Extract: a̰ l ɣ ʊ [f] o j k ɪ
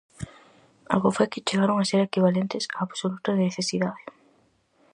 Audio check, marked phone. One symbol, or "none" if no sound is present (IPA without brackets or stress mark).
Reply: f